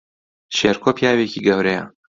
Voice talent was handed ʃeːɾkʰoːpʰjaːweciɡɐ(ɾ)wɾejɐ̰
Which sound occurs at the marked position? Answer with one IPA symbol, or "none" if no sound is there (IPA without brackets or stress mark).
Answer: none